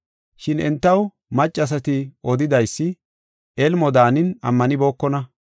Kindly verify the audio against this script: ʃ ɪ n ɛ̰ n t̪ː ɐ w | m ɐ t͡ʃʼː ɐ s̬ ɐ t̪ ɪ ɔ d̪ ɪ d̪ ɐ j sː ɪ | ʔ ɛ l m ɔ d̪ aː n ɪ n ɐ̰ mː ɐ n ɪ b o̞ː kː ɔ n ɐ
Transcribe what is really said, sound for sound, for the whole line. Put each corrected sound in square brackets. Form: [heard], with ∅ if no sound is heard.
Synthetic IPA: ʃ ɪ n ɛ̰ n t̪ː ɐ w | m ɐ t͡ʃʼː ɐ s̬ ɐ t̪ ɪ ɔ d̪ ɪ d̪ ɐ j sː ɪ | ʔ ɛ l m ɔ d̪ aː n ɪ n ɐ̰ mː ɐ n ɪ b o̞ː kː ɔ n ɐ